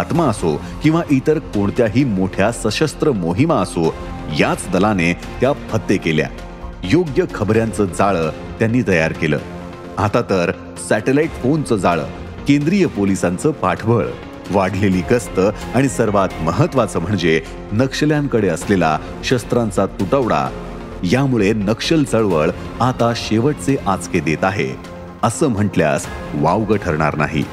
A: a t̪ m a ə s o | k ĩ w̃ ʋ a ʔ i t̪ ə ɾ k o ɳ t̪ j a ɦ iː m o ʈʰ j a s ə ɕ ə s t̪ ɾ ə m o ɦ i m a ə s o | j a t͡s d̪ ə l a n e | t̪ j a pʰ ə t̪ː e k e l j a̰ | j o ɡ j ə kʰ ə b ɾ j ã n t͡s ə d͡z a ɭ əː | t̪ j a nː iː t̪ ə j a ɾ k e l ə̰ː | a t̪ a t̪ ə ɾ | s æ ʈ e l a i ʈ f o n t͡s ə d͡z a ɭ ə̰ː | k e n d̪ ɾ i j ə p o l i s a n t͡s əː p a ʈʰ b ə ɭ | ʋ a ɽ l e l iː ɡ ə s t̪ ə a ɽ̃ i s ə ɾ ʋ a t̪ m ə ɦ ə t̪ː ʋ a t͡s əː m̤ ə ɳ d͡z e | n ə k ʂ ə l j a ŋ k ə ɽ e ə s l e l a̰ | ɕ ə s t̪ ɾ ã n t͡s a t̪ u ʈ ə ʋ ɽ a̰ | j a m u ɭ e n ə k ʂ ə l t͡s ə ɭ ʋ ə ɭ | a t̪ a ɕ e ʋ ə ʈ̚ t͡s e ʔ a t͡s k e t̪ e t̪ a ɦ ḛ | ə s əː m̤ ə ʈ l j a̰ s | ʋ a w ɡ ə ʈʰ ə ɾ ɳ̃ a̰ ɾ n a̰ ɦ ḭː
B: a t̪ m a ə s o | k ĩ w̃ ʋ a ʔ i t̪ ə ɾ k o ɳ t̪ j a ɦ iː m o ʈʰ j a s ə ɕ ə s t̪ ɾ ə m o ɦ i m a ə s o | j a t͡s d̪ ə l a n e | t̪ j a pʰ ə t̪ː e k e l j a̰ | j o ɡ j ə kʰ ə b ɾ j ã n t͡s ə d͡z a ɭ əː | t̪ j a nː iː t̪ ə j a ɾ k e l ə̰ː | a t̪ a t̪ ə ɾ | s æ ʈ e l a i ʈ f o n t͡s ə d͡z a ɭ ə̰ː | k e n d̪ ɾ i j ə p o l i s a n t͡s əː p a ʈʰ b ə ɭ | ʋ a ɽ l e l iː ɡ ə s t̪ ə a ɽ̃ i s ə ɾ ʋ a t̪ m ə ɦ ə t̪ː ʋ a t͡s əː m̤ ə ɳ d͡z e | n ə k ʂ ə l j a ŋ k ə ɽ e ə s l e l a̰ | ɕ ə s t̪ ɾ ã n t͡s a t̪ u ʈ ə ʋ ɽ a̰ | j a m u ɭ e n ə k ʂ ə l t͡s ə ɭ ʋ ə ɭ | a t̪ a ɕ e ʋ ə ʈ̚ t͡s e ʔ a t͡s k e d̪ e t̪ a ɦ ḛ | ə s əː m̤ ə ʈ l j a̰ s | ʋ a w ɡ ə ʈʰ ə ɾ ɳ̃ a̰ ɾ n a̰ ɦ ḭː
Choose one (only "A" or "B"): B